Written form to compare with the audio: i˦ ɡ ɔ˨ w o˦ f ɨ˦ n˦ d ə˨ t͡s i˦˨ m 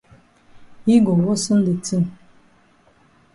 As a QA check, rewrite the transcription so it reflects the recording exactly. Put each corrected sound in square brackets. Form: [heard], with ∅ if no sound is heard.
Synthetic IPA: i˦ ɡ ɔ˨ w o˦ [s] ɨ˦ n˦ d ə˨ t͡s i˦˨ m